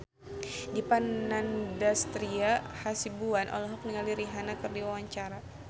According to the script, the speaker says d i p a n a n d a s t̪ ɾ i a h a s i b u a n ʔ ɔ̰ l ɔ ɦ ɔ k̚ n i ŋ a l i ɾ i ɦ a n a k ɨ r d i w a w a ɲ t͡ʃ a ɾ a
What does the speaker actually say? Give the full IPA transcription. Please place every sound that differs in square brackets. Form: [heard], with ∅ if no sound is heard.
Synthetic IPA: d i p a n a n d a s t̪ ɾ i a h a s i b u a n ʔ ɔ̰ l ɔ ɦ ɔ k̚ n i ŋ a l i ɾ i ɦ a n a k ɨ r d i w a w a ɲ t͡ʃ a ɾ a

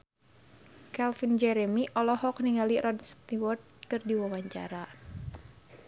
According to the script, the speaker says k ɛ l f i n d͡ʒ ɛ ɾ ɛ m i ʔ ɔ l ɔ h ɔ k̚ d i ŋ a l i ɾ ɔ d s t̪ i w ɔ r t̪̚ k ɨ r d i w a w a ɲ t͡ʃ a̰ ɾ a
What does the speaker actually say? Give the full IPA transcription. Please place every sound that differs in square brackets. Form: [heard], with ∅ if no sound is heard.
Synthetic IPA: k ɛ l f i n d͡ʒ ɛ ɾ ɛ m i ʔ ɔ l ɔ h ɔ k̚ [n] i ŋ a l i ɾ ɔ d s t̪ i w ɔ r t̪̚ k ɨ r d i w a w a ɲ t͡ʃ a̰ ɾ a

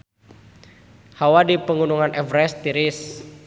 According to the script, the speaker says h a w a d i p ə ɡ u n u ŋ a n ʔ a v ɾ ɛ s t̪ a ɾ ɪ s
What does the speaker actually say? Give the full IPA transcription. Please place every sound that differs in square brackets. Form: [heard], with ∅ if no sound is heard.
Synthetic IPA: h a w a d i p ə [ŋ] u n u ŋ a n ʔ [ɛ] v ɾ ɛ s t̪ [i] ɾ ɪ s

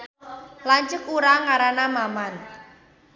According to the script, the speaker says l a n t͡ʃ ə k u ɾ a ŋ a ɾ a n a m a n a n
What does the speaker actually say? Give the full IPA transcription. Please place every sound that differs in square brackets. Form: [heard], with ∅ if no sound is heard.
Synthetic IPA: l a [ɲ] t͡ʃ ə k u ɾ a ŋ a ɾ a n a m a [m] a n

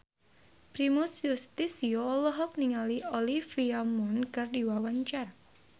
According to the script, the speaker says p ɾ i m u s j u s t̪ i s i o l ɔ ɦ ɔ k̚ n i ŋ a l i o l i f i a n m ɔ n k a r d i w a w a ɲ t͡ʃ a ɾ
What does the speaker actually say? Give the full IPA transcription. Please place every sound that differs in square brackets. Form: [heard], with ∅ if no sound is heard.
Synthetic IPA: p ɾ i m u s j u s t̪ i s i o l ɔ ɦ ɔ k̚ n i ŋ a l i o l i f i a [∅] m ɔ n k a r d i w a w a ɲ t͡ʃ a [r]

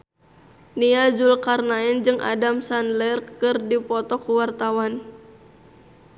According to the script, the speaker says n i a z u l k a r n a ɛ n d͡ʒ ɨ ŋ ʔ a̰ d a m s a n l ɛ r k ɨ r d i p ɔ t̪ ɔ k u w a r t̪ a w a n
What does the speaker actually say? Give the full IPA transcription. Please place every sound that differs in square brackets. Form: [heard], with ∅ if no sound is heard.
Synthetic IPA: n i a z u l k a r n a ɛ n d͡ʒ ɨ ŋ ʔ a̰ d a m s a n l ɛ r k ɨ r d i p ɔ t̪ ɔ k u w a r t̪ a w a n

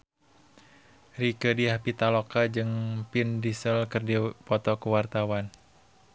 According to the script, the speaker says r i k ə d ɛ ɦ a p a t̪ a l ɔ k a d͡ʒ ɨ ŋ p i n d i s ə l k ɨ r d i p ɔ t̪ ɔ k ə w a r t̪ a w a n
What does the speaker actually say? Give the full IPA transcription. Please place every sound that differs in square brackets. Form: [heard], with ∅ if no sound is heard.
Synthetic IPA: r i k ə d [i] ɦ a p [i] t̪ a l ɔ k a d͡ʒ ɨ ŋ p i n d i s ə l k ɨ r d i p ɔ t̪ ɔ k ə w a r t̪ a w a n

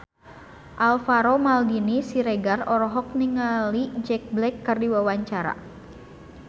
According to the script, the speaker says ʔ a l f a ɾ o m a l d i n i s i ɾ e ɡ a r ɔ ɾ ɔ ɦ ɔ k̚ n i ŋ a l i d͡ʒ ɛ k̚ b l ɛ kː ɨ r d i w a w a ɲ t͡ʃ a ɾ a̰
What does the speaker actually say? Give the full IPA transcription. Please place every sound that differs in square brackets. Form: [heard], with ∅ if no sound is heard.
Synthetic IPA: ʔ a l f a ɾ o m a l d i n i s i ɾ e ɡ a r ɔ ɾ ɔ ɦ ɔ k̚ n i ŋ a l i d͡ʒ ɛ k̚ b l ɛ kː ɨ r d i w a w a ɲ t͡ʃ a ɾ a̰

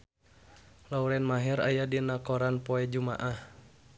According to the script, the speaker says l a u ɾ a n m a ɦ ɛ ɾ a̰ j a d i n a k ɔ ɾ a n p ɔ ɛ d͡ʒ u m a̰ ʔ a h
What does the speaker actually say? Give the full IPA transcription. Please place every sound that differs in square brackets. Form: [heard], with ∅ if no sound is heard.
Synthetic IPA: l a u ɾ [ɛ] n m a ɦ ɛ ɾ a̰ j a d i n a k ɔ ɾ a n p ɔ ɛ d͡ʒ u m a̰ ʔ a h

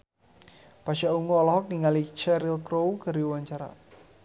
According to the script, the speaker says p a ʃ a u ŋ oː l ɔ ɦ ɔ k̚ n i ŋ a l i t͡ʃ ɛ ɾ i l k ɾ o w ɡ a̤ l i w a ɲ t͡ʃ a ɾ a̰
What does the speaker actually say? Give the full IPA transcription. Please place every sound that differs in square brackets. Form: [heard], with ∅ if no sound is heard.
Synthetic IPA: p a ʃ a u ŋ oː l ɔ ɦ ɔ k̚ n i ŋ a l i t͡ʃ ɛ ɾ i l k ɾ o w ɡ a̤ [ɾ] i w a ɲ t͡ʃ a ɾ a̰

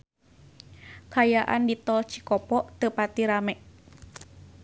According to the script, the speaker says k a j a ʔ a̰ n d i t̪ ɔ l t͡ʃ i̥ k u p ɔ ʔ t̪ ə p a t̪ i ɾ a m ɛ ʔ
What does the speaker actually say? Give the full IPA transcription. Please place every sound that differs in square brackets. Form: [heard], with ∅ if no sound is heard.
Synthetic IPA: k a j a ʔ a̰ n d i t̪ ɔ l t͡ʃ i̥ k [ɔ] p ɔ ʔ t̪ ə p a t̪ i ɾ a m ɛ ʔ

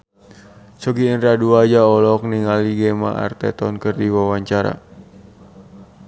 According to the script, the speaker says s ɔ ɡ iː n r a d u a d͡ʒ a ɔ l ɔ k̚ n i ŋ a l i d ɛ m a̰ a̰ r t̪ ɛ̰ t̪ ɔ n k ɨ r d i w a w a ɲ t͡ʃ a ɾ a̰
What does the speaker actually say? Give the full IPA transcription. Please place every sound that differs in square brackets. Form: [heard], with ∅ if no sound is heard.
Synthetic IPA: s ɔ ɡ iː n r a d u a d͡ʒ a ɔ l ɔ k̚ n i ŋ a l i [ɡ] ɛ m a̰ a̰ r t̪ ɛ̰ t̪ ɔ n k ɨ r d i w a w a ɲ t͡ʃ a ɾ a̰

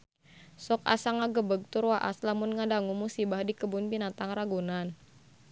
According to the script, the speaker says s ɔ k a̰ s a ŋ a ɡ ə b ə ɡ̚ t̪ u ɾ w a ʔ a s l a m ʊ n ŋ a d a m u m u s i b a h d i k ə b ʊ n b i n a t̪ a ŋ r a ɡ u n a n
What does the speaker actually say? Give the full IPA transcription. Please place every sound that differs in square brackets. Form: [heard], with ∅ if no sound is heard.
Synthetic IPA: s ɔ k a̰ s a ŋ a ɡ ə b ə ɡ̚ t̪ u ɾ w a ʔ a s l a m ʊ n ŋ a d a [ŋ] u m u s i b a h d i k ə b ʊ n b i n a t̪ a ŋ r a ɡ u n a n

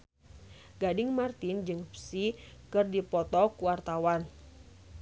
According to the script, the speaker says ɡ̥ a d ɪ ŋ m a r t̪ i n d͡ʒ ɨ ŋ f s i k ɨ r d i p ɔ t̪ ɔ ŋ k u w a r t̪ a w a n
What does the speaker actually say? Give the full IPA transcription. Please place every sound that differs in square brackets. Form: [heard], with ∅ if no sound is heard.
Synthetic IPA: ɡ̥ a d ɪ ŋ m a r t̪ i n d͡ʒ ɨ ŋ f s i k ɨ r d i p ɔ t̪ ɔ [∅] k u w a r t̪ a w a n

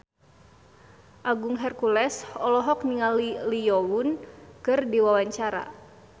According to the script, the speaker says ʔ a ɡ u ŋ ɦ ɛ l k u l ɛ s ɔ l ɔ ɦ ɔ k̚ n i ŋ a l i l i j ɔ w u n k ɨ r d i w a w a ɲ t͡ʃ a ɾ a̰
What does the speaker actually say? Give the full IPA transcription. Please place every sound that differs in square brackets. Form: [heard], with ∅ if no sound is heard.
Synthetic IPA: ʔ a ɡ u ŋ ɦ ɛ [r] k u l ɛ s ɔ l ɔ ɦ ɔ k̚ n i ŋ a l i l i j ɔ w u n k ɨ r d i w a w a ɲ t͡ʃ a ɾ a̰

